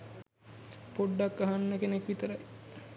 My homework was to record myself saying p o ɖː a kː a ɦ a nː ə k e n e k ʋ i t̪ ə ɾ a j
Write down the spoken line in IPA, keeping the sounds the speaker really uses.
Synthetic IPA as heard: p o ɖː a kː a ɦ a nː ə k e n e k ʋ i t̪ ə ɾ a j